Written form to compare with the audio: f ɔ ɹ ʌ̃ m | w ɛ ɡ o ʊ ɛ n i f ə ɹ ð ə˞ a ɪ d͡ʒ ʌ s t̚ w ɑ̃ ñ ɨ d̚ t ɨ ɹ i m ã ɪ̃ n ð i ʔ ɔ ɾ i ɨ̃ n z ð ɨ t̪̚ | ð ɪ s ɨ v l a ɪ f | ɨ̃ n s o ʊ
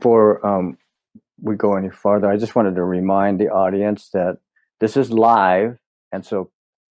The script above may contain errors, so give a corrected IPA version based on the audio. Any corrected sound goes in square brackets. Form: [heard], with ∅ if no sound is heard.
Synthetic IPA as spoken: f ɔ ɹ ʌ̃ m | w [i] ɡ o ʊ ɛ n i f [ɑ] ɹ ð ə˞ a ɪ d͡ʒ ʌ s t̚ w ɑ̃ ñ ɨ d̚ t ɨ ɹ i m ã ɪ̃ n ð i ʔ ɔ ɾ i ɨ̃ n [s] ð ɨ t̪̚ | ð ɪ s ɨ [z] l a ɪ [v] | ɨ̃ n s o ʊ